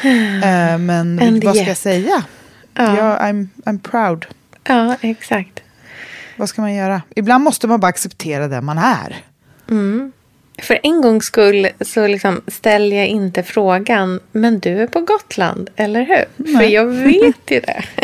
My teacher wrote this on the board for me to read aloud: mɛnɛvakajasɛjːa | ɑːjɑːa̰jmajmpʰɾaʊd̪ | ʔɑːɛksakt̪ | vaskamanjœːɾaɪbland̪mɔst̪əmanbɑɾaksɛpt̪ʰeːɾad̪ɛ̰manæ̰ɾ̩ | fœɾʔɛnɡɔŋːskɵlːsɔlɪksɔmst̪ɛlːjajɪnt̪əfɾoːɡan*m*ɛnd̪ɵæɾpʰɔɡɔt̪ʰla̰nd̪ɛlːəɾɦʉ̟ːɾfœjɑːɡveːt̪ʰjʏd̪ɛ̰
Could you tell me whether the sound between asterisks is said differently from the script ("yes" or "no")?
no